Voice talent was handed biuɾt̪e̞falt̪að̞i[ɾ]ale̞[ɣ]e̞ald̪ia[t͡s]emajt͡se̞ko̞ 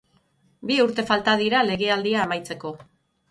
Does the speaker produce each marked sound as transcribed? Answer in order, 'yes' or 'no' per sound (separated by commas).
yes, yes, no